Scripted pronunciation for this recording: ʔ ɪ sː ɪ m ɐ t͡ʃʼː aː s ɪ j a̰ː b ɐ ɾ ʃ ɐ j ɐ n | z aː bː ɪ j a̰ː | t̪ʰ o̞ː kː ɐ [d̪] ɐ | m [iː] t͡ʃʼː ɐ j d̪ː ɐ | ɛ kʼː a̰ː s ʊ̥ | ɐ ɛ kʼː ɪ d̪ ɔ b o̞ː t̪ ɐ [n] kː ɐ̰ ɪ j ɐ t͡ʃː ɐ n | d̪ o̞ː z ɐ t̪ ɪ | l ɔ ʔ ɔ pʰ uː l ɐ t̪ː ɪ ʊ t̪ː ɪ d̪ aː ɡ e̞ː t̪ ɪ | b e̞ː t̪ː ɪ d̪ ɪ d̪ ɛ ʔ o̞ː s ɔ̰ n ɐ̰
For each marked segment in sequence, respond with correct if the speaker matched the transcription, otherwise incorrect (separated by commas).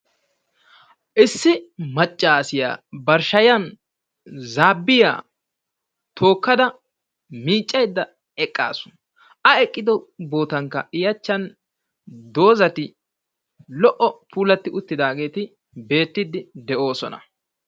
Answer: correct, correct, incorrect